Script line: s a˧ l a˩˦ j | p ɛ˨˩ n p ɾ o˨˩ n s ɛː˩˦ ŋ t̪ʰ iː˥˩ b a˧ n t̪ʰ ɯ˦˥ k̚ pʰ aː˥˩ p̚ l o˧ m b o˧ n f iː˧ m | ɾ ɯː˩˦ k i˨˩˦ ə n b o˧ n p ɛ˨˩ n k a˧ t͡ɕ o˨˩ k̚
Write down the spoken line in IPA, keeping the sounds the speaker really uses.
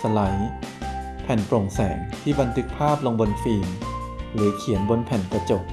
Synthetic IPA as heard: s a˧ l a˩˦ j | pʰ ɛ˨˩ n p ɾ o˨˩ ŋ s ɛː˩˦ ŋ t̪ʰ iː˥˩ b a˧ n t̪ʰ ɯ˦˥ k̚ pʰ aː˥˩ p̚ l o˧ ŋ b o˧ n f iː˧ m | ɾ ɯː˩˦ kʰ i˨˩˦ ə n b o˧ n pʰ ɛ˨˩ n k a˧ t͡ɕ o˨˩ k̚